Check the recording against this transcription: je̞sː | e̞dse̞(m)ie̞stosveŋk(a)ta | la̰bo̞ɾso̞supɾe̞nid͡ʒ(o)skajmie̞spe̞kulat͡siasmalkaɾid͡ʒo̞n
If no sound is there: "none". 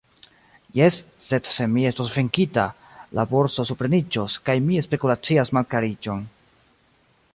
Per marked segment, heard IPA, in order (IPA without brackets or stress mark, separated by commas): m, i, o